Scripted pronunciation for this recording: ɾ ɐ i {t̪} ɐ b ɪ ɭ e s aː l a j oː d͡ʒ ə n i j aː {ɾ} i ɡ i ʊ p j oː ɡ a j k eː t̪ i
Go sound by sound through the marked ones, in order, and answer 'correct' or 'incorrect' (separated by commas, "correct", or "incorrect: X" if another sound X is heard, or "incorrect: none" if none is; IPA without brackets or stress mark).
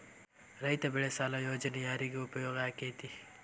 correct, correct